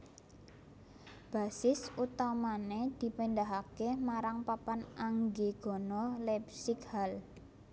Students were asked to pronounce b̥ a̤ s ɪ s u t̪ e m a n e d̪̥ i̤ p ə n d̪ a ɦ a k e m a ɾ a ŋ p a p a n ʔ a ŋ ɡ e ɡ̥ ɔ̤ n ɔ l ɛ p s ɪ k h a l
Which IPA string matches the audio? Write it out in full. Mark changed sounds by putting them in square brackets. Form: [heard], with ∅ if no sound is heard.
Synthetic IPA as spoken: b̥ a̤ s ɪ s u t̪ [a] m a n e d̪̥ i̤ p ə n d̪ a ɦ a k e m a ɾ a ŋ p a p a n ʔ a ŋ ɡ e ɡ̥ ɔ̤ n ɔ l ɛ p s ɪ k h a l